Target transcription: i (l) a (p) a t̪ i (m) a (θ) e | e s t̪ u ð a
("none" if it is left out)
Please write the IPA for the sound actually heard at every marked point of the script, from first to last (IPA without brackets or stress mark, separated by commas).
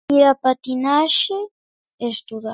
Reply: ɾ, p, n, ʃ